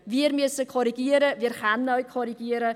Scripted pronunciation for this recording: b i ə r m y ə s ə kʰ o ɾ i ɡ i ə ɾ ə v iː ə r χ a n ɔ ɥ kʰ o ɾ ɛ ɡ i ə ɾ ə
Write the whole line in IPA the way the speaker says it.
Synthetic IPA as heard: v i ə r m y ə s ə kʰ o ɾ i ɡ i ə ɾ ə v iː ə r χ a n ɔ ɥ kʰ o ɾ i ɡ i ə ɾ ə